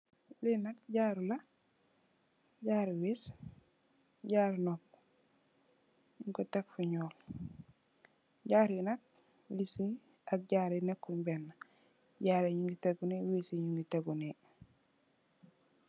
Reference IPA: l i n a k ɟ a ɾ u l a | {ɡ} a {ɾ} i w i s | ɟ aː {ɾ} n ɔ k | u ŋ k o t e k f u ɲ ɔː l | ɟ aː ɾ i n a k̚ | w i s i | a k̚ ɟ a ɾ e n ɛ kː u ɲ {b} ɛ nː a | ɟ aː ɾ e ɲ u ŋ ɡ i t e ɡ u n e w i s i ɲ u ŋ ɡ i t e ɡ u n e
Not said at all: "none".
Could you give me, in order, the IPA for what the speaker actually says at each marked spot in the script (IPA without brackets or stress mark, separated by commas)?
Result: ɟ, ɾ, ɾ, b